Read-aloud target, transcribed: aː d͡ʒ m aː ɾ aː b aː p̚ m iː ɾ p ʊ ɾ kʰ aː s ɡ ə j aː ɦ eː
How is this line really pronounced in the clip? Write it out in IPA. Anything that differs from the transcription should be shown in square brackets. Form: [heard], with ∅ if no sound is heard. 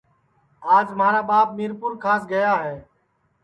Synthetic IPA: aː d͡ʒ m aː ɾ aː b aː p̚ m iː ɾ p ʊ ɾ kʰ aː s ɡ ə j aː ɦ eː

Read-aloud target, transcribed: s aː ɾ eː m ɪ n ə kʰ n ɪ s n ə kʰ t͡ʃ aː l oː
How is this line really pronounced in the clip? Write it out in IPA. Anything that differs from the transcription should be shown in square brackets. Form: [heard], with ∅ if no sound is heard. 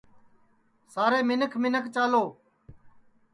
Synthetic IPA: s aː ɾ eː m ɪ n ə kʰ [m] ɪ [∅] n ə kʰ t͡ʃ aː l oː

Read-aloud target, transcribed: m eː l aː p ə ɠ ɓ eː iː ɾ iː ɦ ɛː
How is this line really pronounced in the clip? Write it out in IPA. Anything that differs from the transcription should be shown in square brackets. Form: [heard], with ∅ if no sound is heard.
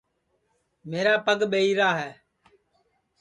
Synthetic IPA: m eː [ɾ] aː p ə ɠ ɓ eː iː ɾ [aː] ɦ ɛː

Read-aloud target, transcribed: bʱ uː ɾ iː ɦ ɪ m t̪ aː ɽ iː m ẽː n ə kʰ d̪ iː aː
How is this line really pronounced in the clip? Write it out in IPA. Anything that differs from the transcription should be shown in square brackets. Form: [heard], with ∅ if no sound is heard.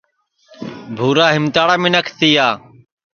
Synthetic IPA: bʱ uː ɾ [aː] ɦ ɪ m t̪ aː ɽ [aː] m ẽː n ə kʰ [t̪] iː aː

